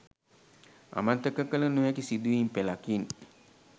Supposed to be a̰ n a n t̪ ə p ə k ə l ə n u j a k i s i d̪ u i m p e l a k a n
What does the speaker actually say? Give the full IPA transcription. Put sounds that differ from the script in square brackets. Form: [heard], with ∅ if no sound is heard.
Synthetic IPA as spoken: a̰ [m] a n t̪ ə [k] ə k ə l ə n u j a k i s i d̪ u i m p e l a k [i] n